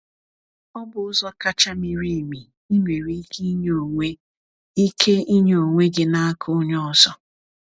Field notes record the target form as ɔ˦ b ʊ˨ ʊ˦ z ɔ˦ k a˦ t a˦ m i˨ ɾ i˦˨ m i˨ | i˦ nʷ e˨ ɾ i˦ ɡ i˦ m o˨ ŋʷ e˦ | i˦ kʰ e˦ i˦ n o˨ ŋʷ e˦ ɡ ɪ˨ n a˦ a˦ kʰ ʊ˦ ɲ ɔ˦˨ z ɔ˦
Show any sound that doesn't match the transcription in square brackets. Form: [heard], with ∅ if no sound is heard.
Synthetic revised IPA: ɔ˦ b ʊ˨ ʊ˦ z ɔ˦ k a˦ [t͡ʃ] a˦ m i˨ ɾ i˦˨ m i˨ | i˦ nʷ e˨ ɾ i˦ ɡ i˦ [ɲ] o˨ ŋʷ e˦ | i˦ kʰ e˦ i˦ [ɲ] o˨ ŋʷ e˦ ɡ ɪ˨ n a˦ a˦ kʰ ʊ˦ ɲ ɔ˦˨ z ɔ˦

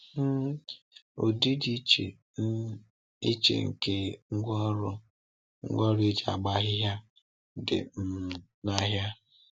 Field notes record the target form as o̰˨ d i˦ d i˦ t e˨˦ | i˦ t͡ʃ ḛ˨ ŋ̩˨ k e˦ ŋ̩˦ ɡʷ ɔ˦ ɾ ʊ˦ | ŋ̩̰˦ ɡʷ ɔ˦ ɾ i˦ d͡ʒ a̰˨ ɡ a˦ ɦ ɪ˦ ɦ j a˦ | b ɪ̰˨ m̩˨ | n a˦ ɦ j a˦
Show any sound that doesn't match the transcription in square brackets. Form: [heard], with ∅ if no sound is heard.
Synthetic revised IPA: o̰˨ d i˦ d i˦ [t͡ʃ] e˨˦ | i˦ t͡ʃ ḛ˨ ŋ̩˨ k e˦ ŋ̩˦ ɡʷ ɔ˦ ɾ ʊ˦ | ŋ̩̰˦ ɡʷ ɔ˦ ɾ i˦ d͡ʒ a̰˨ [ɡ͡b] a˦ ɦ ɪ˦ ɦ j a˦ | [d] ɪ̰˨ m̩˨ | n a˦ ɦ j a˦

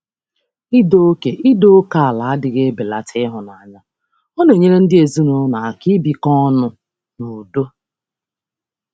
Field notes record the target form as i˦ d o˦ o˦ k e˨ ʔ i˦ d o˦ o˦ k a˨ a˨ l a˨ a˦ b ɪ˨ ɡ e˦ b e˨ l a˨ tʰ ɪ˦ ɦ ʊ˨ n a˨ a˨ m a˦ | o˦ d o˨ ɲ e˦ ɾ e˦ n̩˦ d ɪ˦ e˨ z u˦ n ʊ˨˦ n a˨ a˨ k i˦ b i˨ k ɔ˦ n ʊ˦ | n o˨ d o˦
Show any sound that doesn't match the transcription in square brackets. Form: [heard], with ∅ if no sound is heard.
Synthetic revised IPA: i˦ d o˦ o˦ k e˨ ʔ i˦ d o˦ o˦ k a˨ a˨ l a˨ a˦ [d] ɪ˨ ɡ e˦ b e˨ l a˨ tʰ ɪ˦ ɦ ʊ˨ n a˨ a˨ [ɲ] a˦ | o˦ [n] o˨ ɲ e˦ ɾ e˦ n̩˦ d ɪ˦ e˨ z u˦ n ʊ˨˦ n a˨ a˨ k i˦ b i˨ k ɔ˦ n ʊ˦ | n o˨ d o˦

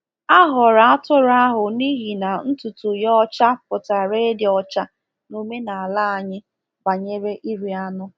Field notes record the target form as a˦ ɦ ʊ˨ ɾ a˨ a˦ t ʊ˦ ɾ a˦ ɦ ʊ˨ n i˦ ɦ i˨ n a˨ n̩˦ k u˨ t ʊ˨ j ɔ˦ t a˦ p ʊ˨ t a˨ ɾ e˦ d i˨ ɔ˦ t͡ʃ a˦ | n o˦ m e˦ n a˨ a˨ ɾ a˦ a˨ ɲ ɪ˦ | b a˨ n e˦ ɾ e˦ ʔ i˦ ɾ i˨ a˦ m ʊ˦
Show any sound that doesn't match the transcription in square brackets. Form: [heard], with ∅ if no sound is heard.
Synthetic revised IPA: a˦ ɦ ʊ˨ ɾ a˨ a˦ t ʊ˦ ɾ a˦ ɦ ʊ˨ n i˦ ɦ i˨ n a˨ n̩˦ [t] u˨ t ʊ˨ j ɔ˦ [t͡ʃ] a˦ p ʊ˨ t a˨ ɾ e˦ d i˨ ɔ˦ t͡ʃ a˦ | n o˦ m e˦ n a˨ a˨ [l] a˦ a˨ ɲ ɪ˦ | b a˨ [ɲ] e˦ ɾ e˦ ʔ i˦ ɾ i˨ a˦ [n] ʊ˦

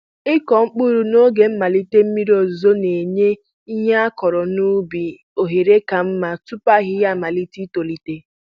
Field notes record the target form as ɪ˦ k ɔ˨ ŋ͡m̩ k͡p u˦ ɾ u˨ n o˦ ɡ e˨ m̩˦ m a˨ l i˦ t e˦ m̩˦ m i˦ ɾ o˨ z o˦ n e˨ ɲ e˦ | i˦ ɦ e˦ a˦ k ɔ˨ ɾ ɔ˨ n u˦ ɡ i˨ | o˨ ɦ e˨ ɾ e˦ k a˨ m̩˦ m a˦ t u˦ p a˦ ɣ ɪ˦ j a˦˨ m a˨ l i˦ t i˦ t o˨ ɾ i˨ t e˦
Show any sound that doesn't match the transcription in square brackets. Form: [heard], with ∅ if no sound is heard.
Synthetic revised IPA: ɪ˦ k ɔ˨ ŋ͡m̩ k͡p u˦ ɾ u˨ n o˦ ɡ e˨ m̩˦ m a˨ l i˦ t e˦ m̩˦ m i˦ ɾ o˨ z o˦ n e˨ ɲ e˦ | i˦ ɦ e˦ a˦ k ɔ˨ ɾ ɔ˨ n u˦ [b] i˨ | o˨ ɦ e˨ ɾ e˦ k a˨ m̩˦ m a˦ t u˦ p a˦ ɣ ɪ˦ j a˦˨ m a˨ l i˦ t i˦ t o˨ [l] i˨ t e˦

